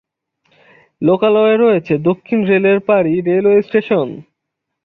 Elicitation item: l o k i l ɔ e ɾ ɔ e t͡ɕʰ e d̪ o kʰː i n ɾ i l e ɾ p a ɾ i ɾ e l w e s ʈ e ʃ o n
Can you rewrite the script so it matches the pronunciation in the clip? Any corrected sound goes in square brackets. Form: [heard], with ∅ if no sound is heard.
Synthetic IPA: l o k [a] l ɔ e ɾ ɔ e t͡ɕʰ e d̪ o kʰː i n ɾ [e] l e ɾ p a ɾ i ɾ e l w e s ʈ e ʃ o n